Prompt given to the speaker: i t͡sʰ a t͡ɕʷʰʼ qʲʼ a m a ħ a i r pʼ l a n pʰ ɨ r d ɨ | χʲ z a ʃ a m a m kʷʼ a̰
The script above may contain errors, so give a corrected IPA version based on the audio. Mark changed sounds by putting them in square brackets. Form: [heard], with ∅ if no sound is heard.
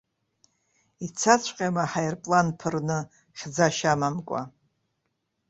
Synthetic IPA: i t͡sʰ a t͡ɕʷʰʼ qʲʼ a m a ħ a [j] r pʼ l a n pʰ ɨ r [n] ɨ | χʲ [d͡z] a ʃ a m a m kʷʼ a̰